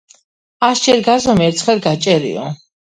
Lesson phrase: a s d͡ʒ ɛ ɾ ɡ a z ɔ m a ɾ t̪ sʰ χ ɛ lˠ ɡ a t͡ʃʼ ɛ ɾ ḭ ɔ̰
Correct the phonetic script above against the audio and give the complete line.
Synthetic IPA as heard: a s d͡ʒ ɛ ɾ ɡ a z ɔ m ɛ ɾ t̪ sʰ χ ɛ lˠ ɡ a t͡ʃʼ ɛ ɾ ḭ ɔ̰